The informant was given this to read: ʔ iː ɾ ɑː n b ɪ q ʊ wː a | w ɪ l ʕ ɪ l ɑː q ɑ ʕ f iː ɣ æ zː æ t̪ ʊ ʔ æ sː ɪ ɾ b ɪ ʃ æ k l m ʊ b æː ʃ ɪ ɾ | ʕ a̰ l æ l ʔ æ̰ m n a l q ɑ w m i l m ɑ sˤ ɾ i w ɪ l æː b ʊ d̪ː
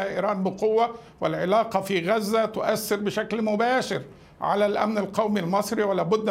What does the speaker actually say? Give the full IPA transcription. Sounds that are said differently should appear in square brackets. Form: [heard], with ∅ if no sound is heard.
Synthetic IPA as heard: ʔ iː ɾ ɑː n b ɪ q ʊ wː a | w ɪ l ʕ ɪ l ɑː q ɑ [∅] f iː ɣ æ zː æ t̪ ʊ ʔ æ sː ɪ ɾ b ɪ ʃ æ k l m ʊ b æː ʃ ɪ ɾ | ʕ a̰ l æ l ʔ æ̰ m n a l q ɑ w m i l m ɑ sˤ ɾ i w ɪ l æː b ʊ d̪ː